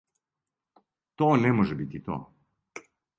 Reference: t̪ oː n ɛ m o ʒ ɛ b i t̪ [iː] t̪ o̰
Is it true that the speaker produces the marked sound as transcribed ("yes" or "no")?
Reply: no